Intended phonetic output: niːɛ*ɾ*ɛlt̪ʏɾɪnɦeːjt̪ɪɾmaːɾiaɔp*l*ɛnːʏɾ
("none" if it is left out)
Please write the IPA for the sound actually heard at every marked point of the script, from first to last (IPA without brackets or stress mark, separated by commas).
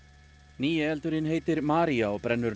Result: none, ɾ